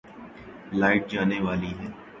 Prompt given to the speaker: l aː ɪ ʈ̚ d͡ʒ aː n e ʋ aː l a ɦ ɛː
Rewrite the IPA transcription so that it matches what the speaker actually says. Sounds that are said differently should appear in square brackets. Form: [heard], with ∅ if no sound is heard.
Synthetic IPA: l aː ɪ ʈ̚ d͡ʒ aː n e ʋ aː l [i] ɦ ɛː